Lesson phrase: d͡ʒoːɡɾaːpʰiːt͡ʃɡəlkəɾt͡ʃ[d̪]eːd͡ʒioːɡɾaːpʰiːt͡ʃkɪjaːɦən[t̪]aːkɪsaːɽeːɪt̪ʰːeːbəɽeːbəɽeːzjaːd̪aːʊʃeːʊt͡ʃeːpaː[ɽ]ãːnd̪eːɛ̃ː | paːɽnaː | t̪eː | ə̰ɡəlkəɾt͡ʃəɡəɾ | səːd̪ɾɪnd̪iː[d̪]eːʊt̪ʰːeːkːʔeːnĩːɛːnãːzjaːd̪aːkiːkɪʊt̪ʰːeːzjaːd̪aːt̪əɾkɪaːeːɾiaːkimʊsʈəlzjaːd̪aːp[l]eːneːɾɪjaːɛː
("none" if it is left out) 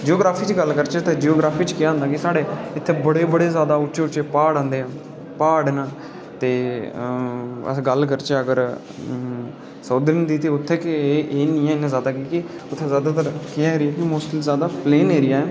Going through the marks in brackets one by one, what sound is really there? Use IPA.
t̪, d̪, ɽ, t̪, l

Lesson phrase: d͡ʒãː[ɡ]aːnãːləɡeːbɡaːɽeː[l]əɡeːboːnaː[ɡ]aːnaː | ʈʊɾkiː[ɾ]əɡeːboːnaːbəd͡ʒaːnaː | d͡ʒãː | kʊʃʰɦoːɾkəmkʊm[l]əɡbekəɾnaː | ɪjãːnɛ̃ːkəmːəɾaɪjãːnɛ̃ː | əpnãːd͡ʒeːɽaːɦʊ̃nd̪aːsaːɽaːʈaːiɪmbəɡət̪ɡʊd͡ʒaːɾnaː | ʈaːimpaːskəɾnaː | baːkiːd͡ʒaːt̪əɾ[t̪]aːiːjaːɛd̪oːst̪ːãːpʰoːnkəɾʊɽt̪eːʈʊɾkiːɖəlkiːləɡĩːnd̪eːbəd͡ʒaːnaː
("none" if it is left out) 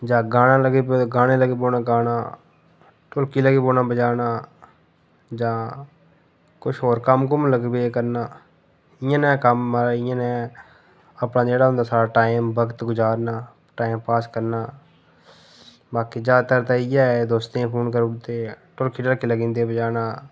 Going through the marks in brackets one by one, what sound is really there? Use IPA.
ɡ, l, ɡ, l, l, t̪

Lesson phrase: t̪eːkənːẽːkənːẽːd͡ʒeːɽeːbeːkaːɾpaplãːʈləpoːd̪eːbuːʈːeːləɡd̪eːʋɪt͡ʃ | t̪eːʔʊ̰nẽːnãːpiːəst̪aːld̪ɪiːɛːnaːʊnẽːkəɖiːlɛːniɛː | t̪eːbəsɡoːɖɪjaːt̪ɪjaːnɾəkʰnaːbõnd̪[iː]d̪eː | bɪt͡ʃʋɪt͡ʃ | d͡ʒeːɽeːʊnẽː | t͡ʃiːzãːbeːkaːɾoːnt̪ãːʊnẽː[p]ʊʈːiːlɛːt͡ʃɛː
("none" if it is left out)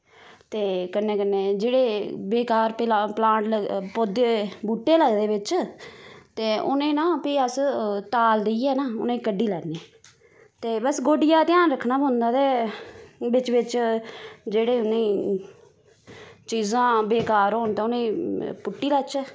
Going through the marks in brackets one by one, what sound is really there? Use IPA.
aː, p

